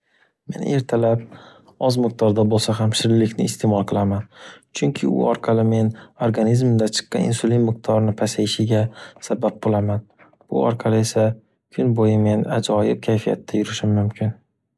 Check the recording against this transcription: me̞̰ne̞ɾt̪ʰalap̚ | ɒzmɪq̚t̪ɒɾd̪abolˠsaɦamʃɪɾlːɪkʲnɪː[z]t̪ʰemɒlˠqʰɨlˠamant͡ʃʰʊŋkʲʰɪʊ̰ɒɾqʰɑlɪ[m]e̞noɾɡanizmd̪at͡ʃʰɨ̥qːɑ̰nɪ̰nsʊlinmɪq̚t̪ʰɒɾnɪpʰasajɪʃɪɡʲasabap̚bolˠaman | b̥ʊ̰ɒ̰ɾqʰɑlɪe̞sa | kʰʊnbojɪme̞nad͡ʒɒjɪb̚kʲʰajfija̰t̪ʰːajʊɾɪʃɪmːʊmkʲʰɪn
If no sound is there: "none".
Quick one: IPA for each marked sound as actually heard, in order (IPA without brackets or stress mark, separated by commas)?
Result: s, m